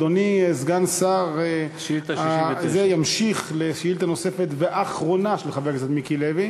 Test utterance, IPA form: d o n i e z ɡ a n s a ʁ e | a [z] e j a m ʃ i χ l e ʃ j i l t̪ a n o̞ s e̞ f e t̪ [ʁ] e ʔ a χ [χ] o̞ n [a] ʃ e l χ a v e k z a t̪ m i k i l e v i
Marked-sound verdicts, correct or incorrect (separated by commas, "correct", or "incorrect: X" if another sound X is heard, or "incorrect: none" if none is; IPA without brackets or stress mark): correct, incorrect: v, incorrect: ʁ, correct